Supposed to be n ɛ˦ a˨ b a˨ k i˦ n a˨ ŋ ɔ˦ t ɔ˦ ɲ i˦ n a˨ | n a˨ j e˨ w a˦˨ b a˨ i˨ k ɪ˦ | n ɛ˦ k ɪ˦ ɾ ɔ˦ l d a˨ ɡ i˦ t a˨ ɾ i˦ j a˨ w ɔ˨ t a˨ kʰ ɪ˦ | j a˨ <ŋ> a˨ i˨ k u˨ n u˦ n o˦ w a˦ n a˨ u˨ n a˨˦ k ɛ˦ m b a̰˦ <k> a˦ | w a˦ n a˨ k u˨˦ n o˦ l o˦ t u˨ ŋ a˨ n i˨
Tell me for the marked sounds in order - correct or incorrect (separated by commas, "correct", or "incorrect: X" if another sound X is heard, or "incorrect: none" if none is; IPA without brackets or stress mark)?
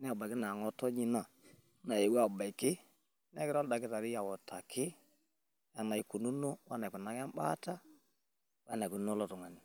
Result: incorrect: n, incorrect: t